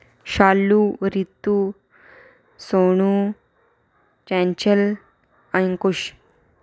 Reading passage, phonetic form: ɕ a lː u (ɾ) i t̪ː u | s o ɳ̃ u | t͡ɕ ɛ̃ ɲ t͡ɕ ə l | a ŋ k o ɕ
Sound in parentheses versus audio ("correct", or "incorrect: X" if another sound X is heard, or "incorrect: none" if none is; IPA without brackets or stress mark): correct